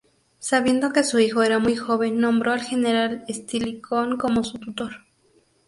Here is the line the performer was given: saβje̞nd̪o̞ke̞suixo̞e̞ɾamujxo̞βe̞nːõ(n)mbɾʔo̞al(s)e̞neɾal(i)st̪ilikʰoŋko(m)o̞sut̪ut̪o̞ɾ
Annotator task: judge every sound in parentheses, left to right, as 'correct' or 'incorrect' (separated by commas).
incorrect, incorrect, incorrect, correct